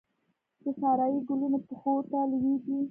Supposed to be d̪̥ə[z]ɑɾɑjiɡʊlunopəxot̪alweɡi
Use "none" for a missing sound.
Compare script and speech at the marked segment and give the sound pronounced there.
s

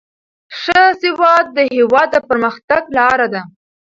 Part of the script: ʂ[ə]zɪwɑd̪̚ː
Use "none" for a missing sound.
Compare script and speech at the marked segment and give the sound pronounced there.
ə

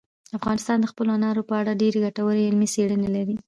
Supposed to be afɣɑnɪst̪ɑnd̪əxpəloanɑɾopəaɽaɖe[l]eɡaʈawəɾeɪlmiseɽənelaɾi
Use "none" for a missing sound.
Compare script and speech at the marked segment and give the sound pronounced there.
ɾ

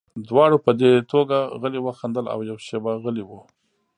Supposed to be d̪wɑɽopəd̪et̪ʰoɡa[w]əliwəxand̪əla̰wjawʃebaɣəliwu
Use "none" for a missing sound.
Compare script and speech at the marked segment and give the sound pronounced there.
ɣ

